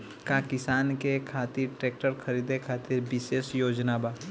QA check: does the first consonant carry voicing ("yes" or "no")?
no